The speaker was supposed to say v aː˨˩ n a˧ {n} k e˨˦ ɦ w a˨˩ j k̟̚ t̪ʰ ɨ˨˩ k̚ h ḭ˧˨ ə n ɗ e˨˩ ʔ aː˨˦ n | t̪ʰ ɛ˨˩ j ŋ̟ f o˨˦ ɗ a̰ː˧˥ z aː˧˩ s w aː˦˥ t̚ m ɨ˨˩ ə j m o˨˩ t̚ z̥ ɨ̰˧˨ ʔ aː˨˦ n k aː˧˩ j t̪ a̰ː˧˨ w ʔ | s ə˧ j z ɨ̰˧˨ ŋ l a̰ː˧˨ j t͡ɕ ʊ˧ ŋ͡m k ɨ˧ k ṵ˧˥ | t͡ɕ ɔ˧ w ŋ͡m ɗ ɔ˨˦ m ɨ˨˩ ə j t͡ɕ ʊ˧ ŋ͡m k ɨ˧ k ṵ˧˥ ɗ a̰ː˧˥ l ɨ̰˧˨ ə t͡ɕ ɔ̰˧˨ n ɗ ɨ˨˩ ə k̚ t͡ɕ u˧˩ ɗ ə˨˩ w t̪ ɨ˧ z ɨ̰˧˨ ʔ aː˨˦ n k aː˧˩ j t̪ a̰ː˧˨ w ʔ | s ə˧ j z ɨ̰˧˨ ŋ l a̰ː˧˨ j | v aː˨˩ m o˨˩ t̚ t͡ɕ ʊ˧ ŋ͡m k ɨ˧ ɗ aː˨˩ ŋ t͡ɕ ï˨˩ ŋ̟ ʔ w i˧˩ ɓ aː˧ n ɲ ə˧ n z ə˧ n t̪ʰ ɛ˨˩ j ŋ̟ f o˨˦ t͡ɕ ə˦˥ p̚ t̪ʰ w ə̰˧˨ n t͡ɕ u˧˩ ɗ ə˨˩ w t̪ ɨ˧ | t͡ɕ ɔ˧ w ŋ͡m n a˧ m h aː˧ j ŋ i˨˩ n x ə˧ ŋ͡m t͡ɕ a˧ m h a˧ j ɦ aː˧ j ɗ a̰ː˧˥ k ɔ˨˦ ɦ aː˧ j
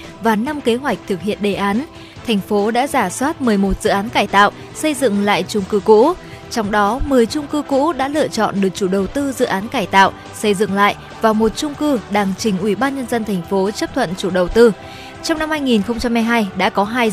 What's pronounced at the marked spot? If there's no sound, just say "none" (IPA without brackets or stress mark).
m